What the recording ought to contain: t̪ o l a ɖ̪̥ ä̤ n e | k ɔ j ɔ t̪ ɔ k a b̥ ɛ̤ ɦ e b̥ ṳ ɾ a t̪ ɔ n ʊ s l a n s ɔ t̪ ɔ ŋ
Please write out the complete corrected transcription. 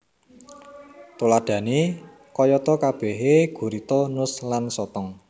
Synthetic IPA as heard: t̪ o l a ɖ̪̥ ä̤ n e | k ɔ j ɔ t̪ ɔ k a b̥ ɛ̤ ɦ e ɡ̥ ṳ ɾ i t̪ ɔ n ʊ s l a n s ɔ t̪ ɔ ŋ